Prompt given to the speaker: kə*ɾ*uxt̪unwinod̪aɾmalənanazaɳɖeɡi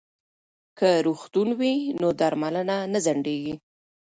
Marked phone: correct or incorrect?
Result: correct